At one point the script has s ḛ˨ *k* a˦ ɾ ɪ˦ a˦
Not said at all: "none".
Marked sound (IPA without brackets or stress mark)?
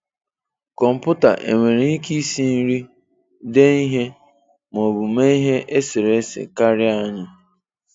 k